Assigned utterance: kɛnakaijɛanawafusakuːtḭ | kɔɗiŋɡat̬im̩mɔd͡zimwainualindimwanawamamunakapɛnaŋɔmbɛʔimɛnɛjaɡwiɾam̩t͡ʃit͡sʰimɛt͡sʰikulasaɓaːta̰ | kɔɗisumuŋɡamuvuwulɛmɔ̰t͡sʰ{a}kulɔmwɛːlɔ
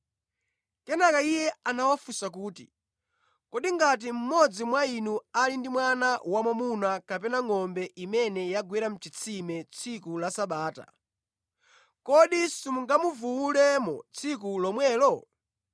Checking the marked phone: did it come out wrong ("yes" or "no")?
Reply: yes